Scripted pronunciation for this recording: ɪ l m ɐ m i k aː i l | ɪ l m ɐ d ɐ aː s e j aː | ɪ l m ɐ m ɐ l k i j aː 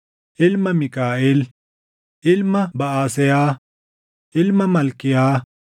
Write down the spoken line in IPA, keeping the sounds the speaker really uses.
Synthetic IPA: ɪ l m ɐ m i k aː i l | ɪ l m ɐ b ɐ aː s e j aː | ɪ l m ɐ m ɐ l k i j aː